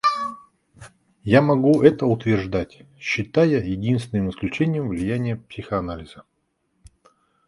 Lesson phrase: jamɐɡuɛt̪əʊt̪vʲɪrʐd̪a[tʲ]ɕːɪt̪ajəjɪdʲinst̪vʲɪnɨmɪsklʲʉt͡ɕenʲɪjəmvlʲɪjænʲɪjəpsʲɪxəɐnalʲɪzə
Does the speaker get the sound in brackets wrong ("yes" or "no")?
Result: no